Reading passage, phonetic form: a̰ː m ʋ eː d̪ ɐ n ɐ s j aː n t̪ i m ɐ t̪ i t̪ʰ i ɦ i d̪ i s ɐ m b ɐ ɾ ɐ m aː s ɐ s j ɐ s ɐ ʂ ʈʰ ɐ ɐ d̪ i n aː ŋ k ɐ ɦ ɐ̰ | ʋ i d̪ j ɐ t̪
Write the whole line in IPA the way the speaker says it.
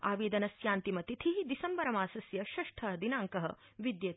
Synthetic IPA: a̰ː ʋ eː d̪ ɐ n ɐ s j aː n t̪ i m ɐ t̪ i t̪ʰ i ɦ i d̪ i s ɐ m b ɐ ɾ ɐ m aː s ɐ s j ɐ ʃ ɐ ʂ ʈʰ ɐ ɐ d̪ i n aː ŋ k ɐ ɦ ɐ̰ | ʋ i d̪ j ɐ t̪